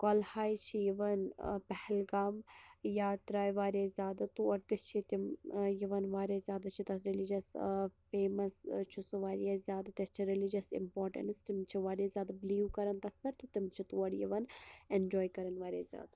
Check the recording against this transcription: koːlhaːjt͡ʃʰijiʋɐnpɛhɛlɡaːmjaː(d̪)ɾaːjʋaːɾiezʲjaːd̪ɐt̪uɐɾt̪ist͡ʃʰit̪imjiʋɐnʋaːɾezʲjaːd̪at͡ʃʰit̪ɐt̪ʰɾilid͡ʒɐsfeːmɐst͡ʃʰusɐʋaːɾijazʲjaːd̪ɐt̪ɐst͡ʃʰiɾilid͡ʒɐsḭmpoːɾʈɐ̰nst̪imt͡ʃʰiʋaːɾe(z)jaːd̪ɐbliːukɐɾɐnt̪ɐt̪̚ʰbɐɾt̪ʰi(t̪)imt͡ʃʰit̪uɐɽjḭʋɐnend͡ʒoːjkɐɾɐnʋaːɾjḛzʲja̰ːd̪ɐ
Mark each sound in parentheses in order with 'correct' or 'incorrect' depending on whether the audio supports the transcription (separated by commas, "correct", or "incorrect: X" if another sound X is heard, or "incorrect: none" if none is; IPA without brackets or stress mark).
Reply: incorrect: t̪, correct, correct